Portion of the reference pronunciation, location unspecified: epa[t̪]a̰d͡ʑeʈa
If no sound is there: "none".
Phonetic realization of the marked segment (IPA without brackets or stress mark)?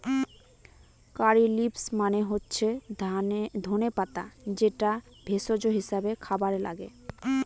t̪